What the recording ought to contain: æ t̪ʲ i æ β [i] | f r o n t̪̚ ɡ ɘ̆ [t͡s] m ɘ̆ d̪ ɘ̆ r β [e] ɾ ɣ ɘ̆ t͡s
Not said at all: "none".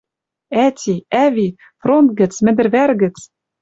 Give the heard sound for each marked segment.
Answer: i, t͡s, æ

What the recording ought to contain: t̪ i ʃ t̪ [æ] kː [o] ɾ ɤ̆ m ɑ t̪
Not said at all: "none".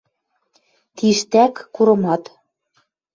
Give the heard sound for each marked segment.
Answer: æ, u

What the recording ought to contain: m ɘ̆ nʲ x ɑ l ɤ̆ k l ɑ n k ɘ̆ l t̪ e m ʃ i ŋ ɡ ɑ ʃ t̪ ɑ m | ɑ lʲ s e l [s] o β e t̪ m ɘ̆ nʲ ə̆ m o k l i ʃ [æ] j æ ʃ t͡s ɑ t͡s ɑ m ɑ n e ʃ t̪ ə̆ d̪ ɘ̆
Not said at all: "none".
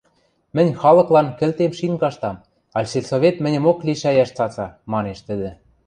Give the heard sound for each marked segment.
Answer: s, æ

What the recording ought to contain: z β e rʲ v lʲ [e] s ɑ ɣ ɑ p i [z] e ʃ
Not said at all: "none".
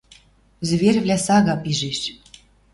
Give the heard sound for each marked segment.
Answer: æ, ʒ

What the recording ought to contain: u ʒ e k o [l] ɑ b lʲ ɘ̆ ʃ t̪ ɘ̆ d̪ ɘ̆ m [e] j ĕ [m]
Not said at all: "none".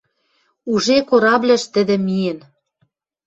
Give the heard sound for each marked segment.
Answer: ɾ, i, n

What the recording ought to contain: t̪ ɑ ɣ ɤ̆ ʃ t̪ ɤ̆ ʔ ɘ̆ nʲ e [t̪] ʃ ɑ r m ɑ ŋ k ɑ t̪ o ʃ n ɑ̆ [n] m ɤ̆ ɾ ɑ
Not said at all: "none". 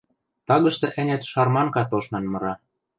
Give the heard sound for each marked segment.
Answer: t̪, n

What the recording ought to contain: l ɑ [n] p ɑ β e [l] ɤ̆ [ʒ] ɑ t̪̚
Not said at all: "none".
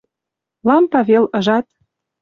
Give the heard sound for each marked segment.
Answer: m, l, ʒ

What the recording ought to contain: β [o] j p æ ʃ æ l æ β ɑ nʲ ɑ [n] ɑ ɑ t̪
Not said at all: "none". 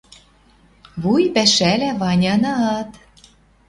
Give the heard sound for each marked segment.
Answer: u, n

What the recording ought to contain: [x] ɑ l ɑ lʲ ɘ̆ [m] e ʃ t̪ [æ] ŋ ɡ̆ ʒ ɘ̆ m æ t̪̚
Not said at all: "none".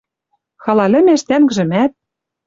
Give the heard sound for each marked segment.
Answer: x, m, æ

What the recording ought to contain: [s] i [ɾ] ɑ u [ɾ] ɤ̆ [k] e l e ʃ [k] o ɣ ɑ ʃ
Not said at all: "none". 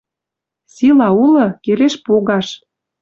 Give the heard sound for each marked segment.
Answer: s, l, l, k, p

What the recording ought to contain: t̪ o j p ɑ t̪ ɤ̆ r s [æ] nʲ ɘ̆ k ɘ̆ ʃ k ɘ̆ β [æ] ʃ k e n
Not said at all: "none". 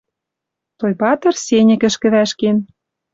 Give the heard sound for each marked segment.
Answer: e, æ

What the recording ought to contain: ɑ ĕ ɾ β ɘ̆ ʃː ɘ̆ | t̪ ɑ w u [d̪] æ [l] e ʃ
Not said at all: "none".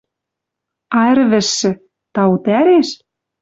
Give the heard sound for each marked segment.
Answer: t̪, ɾ

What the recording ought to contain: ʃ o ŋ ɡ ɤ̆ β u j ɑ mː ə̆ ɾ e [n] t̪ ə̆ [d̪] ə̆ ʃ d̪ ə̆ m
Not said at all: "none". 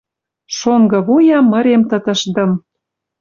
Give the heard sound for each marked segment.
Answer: m, t̪

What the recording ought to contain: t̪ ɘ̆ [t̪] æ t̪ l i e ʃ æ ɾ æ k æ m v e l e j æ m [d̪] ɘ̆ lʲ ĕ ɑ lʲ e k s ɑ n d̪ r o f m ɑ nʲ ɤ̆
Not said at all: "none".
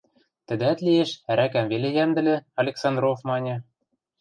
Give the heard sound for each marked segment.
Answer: d̪, d̪

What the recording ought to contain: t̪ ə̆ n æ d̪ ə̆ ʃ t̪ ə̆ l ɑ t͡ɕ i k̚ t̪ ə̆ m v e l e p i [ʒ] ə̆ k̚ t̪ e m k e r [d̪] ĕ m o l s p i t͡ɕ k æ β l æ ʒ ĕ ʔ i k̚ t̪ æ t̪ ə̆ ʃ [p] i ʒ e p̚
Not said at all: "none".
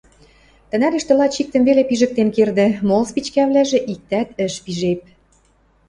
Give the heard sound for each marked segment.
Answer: ʒ, d̪, p

